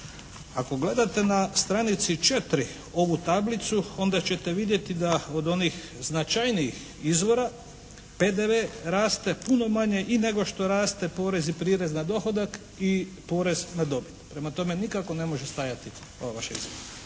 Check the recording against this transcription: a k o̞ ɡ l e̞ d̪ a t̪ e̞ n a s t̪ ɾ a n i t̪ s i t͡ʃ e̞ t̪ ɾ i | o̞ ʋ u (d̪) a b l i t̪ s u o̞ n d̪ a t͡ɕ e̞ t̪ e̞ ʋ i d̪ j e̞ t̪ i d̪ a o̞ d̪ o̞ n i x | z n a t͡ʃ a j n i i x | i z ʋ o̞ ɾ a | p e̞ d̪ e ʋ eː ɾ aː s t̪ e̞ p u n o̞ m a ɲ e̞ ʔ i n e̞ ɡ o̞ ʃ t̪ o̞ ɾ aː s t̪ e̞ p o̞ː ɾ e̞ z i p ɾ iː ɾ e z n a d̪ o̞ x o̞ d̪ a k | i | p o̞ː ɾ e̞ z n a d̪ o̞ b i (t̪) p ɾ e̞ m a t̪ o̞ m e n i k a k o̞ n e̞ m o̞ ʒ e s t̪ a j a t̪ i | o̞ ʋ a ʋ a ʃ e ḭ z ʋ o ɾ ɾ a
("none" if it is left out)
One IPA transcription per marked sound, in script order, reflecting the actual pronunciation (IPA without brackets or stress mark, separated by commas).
t̪, t̪